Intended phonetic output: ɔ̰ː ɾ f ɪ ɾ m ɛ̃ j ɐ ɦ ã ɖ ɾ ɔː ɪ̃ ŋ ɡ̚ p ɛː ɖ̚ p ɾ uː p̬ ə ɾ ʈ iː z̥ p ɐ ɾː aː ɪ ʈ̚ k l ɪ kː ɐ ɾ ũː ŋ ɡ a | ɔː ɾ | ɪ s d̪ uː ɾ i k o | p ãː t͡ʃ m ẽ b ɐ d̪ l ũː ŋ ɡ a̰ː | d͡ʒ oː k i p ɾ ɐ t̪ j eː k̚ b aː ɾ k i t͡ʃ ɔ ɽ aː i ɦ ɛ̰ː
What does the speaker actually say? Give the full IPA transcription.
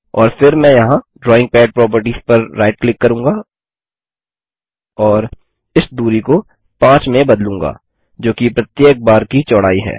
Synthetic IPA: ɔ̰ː ɾ f ɪ ɾ m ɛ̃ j ɐ ɦ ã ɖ ɾ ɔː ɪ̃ ŋ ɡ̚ p ɛː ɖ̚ p ɾ ɔː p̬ ə ɾ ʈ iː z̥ p ɐ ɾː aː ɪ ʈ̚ k l ɪ kː ɐ ɾ ũː ŋ ɡ a | ɔː ɾ | ɪ s d̪ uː ɾ i k o | p ãː t͡ʃ m ẽ b ɐ d̪ l ũː ŋ ɡ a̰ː | d͡ʒ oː k i p ɾ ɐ t̪ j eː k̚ b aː ɾ k i t͡ʃ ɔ ɽ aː i ɦ ɛ̰ː